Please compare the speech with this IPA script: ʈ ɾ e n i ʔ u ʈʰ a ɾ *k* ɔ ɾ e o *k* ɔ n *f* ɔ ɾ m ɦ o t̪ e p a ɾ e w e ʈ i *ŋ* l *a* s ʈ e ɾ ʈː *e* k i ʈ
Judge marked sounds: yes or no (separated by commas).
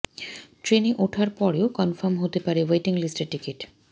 no, yes, yes, yes, no, no